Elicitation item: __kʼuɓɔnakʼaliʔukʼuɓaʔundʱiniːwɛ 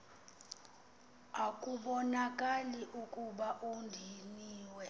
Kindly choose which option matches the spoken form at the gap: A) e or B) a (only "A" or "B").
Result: B